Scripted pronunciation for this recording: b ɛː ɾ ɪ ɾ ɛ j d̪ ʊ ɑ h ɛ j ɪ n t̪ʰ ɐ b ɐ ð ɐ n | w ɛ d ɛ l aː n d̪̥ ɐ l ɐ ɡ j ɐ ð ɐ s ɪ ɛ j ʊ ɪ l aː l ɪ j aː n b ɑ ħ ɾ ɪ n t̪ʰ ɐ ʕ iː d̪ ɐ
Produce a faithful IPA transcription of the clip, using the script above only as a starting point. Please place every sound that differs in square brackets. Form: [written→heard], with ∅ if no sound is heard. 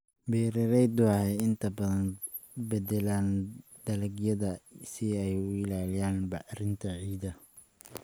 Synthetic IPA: b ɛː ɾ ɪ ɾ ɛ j d̪ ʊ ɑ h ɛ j ɪ n t̪ʰ ɐ b ɐ ð ɐ n | [w→b] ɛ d ɛ l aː n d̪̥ ɐ l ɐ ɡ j ɐ ð ɐ s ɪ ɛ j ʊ ɪ l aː l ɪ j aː n b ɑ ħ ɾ ɪ n t̪ʰ ɐ ʕ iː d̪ ɐ